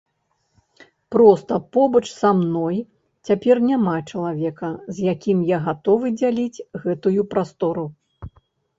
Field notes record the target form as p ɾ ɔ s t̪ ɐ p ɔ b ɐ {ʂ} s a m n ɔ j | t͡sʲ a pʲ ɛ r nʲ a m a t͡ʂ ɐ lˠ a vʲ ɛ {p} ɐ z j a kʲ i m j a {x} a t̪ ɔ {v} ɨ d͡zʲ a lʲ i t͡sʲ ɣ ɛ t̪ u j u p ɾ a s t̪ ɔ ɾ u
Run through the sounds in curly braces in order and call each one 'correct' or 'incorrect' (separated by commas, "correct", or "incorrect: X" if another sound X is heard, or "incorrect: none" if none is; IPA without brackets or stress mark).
incorrect: t͡ʂ, incorrect: k, incorrect: ɣ, correct